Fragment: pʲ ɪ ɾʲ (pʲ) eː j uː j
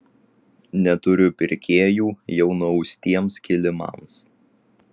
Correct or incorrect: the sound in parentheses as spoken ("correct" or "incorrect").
incorrect